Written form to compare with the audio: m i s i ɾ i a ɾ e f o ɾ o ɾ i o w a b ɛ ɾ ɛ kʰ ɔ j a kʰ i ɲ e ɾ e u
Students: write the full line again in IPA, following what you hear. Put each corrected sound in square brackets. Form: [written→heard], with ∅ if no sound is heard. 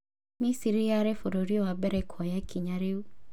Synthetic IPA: m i s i ɾ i a ɾ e f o ɾ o ɾ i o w a b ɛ ɾ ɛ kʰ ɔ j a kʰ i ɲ [e→a] ɾ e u